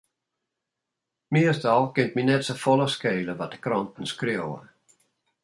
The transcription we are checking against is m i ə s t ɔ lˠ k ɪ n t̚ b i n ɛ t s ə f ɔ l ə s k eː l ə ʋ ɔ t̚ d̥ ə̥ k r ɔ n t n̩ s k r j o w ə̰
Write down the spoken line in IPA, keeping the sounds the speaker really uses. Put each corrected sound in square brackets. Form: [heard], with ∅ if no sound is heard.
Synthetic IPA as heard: m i ə s t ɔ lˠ k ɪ n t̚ [m] i n ɛ t s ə f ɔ l ə s k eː l ə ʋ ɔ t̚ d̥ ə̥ k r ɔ n t n̩ s k r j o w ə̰